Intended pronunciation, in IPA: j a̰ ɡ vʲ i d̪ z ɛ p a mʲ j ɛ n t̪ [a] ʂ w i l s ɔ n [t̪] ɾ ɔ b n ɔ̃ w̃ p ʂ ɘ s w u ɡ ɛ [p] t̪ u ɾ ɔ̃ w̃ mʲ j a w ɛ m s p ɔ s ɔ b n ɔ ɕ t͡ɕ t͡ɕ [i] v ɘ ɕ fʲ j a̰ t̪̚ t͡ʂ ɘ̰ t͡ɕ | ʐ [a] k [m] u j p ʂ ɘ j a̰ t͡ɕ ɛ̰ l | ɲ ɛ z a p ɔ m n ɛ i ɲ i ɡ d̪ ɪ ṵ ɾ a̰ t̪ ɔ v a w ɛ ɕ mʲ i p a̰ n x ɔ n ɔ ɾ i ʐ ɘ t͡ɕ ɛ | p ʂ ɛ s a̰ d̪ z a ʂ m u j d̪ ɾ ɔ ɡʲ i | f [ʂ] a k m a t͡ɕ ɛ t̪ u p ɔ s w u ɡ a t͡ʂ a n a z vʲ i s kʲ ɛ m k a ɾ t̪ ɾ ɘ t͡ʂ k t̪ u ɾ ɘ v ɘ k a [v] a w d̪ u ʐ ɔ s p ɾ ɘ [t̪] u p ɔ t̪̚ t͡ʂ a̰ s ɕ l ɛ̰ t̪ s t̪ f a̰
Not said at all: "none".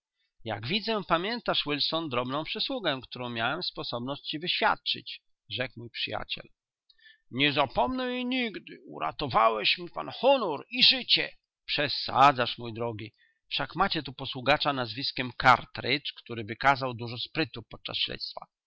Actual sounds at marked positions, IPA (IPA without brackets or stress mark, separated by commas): a, d̪, k, i, ɛ, m, ʂ, z, t̪